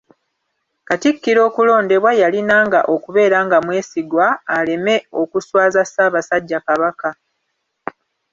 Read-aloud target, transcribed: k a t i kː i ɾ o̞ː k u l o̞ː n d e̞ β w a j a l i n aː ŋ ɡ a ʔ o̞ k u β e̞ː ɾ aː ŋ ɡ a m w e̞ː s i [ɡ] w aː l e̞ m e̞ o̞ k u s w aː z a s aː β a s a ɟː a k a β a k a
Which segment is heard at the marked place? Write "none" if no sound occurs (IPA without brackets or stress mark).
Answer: ɡ